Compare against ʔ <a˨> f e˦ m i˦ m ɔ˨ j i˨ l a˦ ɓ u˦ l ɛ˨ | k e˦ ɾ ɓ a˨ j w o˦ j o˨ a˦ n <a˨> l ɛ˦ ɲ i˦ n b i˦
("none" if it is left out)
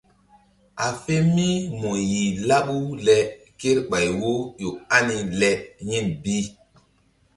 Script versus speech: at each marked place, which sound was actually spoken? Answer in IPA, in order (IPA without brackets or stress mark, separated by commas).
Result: a˨, i˨